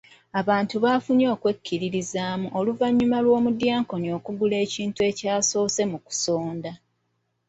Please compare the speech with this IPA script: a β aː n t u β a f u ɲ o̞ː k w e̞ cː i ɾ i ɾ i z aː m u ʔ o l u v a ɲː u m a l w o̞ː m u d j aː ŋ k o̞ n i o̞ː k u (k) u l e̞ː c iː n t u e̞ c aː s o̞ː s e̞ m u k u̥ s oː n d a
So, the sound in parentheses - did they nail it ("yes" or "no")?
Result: no